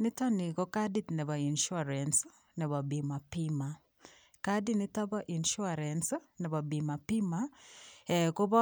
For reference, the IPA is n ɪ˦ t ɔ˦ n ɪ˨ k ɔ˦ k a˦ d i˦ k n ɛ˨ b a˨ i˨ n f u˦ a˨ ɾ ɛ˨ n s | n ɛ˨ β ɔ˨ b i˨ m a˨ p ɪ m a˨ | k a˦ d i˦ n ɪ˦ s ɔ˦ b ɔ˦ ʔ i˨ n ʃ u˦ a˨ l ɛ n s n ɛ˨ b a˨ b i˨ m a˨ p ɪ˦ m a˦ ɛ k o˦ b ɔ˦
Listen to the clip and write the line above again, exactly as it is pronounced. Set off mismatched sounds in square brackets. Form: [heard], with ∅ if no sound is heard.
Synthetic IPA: n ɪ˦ t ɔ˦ n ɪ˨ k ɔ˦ k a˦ d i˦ [t] n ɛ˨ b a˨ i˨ n [ʃ] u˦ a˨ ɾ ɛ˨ n s | n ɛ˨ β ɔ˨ b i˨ m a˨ p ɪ m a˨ | k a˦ d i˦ n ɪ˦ [t] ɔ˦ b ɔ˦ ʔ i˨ n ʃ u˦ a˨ [ɾ] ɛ n s n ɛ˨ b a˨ b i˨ m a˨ p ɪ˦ m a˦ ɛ k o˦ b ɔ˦